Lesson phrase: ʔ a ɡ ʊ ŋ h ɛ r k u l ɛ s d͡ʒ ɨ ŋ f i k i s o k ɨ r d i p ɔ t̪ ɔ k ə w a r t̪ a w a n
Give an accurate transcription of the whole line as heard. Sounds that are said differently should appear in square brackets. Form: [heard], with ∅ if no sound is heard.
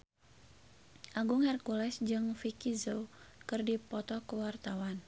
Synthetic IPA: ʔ a ɡ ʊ ŋ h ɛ r k u l ɛ s d͡ʒ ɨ ŋ f i k i [z] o k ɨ r d i p ɔ t̪ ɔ k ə w a r t̪ a w a n